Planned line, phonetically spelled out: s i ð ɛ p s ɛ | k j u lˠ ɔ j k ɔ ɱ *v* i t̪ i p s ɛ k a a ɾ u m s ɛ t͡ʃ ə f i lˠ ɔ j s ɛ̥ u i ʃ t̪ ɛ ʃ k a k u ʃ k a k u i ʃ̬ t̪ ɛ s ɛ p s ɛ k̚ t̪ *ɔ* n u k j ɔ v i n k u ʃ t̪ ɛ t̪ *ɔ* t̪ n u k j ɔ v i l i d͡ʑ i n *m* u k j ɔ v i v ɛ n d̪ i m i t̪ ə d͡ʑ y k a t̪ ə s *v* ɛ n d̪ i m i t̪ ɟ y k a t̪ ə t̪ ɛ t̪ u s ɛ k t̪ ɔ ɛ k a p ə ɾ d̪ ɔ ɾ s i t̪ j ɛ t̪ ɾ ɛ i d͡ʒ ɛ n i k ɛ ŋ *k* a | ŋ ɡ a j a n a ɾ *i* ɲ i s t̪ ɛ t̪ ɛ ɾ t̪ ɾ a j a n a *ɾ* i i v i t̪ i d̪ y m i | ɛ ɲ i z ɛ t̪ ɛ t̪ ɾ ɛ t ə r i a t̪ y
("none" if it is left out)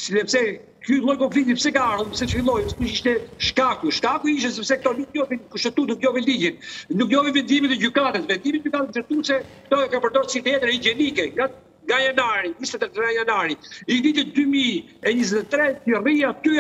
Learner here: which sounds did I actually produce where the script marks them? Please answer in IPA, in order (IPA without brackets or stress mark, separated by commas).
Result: f, ɔ, u, n, v, ɡ, i, ɾ